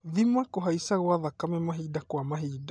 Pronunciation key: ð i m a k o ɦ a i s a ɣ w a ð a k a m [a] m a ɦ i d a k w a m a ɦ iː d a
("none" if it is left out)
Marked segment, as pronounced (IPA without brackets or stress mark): ɛ